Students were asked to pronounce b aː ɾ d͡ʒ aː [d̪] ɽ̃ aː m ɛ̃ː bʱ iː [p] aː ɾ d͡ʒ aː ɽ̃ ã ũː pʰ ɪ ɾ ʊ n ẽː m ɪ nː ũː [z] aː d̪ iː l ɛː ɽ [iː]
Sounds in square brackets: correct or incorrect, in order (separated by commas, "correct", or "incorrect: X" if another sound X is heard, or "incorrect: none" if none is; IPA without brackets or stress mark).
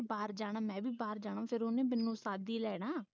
incorrect: none, incorrect: b, incorrect: s, incorrect: aː